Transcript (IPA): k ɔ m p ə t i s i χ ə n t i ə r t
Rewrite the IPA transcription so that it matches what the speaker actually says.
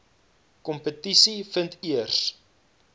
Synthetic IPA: k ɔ m p ə t i s i f ə n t i ə r s